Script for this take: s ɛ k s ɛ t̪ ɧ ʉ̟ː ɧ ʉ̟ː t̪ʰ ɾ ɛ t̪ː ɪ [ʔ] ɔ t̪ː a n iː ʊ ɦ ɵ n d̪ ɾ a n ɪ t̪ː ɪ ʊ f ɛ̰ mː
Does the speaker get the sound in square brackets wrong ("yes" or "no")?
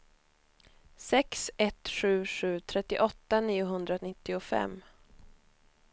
no